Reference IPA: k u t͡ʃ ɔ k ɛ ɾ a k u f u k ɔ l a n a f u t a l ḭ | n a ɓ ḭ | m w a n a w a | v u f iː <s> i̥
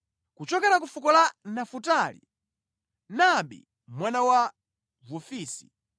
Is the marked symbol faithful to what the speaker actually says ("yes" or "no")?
yes